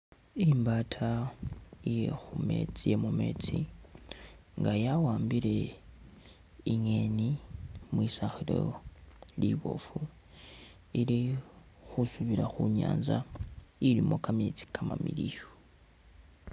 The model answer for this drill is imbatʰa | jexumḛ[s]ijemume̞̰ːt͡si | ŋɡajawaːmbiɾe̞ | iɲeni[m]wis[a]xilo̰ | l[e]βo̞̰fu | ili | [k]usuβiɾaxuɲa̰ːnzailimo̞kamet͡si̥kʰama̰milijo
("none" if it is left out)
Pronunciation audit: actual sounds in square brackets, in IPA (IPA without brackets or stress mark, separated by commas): t͡s, m, a, i, x